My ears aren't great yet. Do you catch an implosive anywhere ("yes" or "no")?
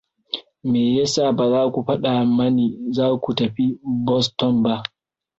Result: yes